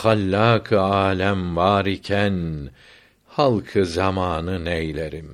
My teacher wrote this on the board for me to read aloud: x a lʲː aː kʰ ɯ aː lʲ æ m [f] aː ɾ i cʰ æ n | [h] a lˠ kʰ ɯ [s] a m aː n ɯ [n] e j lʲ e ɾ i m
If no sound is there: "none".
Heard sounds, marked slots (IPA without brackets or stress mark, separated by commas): v, h, z, n